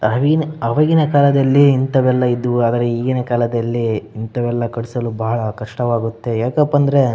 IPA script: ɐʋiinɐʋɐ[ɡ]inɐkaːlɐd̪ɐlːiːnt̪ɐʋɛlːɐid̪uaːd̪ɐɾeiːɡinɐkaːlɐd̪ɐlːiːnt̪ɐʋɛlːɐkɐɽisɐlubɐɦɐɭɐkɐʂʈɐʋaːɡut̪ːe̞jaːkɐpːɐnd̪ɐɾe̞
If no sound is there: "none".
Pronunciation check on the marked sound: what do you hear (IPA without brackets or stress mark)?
ɡ